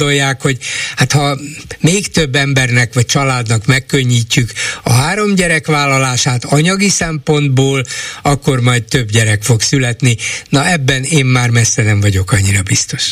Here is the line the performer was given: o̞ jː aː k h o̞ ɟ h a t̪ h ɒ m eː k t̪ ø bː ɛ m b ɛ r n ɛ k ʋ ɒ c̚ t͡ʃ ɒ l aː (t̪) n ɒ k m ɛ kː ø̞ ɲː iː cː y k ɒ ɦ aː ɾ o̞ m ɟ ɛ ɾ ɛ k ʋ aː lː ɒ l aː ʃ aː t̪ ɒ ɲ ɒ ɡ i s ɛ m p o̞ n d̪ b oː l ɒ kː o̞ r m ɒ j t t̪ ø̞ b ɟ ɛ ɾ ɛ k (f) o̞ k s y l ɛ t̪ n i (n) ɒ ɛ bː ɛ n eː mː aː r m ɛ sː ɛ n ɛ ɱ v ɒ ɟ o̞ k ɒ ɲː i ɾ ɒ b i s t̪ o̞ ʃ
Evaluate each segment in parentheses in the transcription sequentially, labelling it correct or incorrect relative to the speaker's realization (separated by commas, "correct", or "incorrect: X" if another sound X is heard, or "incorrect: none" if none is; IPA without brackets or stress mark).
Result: incorrect: d̪, correct, correct